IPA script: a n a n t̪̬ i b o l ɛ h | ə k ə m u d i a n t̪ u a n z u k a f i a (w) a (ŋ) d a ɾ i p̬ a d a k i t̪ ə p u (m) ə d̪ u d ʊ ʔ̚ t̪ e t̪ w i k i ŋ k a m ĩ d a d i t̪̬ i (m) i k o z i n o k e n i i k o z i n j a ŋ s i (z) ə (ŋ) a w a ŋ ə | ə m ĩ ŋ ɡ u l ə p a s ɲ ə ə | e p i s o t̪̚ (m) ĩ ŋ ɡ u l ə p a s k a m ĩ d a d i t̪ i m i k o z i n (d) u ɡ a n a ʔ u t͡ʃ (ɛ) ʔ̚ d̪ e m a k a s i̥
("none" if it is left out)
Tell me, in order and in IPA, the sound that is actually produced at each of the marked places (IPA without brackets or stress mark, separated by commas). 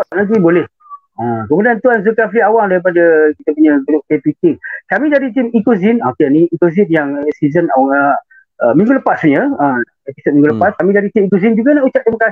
w, ŋ, ɲ, m, z, n, m, d͡ʒ, a